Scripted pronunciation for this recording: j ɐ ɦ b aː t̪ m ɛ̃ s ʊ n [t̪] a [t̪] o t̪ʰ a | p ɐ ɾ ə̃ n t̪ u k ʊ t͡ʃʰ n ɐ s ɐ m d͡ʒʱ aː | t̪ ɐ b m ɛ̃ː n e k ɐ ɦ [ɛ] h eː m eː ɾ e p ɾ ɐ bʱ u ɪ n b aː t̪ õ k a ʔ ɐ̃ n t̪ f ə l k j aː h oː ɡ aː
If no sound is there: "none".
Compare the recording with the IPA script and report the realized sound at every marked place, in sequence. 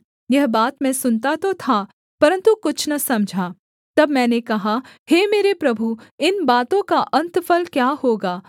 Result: t̪, t̪, a

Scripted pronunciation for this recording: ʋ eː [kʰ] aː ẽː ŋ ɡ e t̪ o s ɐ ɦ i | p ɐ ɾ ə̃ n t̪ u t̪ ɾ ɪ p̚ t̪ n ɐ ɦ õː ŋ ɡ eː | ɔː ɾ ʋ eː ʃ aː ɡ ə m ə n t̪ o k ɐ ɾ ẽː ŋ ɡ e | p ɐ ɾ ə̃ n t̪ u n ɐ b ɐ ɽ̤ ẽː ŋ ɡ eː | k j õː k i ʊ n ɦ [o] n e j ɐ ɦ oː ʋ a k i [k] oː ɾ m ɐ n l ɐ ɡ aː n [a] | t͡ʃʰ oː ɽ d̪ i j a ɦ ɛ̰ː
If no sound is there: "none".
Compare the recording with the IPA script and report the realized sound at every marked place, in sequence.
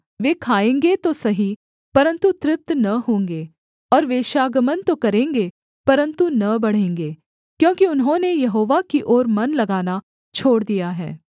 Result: kʰ, õ, ʔ, a

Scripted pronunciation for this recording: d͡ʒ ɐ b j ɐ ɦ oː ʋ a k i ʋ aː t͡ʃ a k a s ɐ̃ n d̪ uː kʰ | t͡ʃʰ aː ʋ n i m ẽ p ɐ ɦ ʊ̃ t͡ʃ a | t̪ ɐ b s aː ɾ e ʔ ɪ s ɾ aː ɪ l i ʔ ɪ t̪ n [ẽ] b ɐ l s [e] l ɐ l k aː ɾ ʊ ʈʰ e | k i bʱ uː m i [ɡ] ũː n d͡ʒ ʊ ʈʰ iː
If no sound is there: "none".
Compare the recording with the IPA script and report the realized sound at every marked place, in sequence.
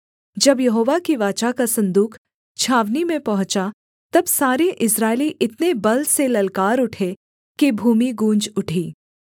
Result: e, e, ɡ

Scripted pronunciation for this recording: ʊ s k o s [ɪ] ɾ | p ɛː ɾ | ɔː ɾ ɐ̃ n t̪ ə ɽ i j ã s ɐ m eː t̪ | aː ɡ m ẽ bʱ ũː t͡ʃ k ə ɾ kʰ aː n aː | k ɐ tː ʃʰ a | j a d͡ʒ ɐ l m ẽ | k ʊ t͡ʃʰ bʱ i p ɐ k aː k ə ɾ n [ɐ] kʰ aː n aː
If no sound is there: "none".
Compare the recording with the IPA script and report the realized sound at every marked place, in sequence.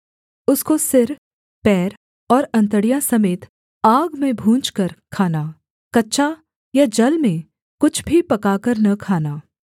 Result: ɪ, ɐ

